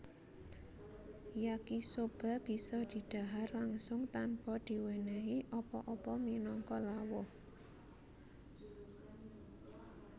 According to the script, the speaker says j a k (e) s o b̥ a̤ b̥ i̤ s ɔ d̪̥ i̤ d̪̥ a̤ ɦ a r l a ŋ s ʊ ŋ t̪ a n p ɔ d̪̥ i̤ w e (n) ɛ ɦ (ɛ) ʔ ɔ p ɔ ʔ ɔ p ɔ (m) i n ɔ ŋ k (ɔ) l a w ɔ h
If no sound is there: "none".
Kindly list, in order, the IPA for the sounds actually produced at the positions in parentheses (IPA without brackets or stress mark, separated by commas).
i, n, i, m, ɔ